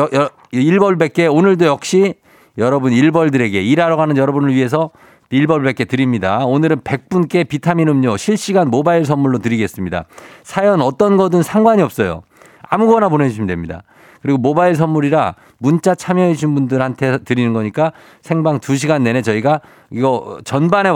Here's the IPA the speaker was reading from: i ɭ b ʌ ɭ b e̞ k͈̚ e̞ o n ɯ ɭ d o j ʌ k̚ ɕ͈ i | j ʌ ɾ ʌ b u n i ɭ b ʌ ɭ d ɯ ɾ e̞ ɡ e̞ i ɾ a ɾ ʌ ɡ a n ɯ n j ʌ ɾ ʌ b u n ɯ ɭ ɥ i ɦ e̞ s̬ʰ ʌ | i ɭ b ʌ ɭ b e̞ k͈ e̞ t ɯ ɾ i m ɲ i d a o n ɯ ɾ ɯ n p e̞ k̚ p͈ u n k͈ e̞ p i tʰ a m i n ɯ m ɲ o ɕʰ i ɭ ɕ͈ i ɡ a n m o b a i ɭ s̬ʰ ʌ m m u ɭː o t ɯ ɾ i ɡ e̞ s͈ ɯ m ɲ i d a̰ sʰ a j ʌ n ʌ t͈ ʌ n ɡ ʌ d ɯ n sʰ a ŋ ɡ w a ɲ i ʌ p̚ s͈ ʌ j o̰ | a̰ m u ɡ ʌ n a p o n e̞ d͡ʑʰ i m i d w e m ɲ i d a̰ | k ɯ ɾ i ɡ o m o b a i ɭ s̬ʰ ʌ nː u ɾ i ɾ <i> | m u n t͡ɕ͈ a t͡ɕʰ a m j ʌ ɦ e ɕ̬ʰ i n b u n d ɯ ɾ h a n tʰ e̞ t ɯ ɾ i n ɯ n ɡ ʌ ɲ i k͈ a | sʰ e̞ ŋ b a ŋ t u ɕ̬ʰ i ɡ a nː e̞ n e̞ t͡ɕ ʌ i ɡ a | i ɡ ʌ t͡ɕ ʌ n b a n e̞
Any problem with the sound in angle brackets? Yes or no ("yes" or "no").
yes